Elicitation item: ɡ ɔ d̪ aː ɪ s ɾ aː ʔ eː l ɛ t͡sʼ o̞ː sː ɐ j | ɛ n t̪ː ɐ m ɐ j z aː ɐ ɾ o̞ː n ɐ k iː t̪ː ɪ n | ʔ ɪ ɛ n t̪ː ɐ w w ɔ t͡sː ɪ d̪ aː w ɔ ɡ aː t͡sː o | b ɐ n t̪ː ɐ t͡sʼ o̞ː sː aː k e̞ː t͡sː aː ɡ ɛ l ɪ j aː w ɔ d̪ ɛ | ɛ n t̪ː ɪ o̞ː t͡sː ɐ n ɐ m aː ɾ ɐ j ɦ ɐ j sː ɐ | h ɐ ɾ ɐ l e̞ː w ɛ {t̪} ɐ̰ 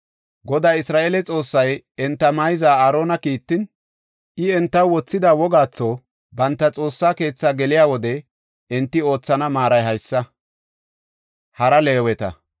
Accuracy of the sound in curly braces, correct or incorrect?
correct